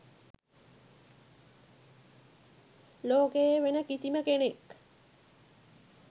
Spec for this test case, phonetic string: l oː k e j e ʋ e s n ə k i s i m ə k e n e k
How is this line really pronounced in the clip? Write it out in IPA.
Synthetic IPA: l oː k e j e ʋ e n ə k i s i m ə k e n e k